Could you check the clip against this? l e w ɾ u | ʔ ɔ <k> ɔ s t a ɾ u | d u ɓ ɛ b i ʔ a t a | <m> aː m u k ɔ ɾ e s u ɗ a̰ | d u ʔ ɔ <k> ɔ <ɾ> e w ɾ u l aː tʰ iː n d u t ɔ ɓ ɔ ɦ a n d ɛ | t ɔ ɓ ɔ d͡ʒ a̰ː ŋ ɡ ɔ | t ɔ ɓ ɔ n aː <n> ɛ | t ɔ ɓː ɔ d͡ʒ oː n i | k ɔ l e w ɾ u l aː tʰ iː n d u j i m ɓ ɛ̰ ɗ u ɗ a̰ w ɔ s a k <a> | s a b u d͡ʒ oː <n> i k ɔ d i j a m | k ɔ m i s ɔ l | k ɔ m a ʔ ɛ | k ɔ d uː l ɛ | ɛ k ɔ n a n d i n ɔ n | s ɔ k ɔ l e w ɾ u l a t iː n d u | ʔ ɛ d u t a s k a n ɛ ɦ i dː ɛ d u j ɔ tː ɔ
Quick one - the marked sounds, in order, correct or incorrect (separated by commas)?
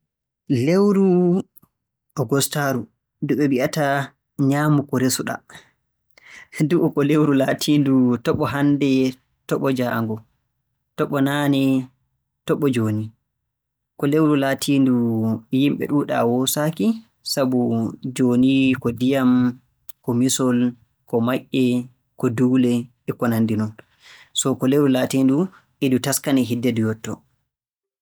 incorrect, incorrect, correct, incorrect, correct, incorrect, correct